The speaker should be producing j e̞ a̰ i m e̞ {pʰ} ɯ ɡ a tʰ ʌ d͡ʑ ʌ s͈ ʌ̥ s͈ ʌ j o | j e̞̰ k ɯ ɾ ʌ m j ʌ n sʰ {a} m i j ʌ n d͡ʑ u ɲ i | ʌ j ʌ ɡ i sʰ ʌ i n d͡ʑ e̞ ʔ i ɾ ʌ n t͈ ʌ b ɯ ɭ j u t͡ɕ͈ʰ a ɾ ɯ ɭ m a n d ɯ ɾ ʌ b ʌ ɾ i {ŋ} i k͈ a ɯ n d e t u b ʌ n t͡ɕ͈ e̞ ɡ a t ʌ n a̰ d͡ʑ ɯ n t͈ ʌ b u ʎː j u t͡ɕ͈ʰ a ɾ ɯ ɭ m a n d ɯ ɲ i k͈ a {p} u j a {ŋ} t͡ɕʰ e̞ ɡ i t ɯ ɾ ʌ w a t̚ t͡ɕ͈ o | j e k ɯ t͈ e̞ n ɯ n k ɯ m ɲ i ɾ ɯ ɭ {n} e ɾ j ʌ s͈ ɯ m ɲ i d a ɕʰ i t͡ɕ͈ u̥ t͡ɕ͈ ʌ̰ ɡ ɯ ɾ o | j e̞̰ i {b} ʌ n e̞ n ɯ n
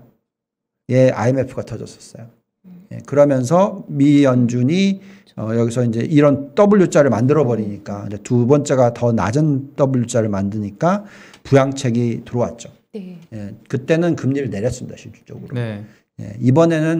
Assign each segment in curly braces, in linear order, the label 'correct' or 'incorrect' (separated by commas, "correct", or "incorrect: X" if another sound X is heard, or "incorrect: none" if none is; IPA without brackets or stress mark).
correct, incorrect: ʌ, incorrect: ɲ, correct, correct, correct, correct